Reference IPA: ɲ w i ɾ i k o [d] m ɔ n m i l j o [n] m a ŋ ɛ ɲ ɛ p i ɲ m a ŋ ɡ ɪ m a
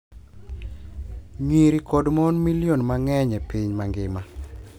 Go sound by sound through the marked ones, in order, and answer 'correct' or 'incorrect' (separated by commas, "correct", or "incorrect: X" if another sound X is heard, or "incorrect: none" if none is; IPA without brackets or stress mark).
correct, correct